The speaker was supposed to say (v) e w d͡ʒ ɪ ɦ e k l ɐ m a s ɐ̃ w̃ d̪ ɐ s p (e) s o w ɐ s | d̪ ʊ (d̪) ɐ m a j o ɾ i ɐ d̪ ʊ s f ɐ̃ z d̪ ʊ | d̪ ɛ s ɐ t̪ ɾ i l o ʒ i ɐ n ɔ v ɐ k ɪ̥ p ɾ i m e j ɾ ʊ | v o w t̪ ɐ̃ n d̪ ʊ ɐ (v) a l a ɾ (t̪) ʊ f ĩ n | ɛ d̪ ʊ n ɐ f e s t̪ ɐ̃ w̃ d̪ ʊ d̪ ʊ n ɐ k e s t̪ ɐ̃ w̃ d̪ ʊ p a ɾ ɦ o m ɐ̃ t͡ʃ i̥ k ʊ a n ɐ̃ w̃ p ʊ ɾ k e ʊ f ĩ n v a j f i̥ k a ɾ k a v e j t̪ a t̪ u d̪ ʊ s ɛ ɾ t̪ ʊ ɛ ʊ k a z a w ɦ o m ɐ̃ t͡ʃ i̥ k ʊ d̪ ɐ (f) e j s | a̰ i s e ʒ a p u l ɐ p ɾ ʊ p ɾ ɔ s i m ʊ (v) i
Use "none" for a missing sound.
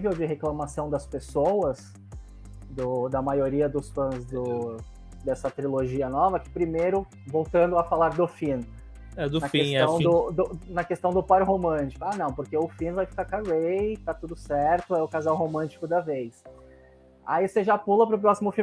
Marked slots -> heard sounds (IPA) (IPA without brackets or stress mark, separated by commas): v, e, d̪, f, d̪, v, f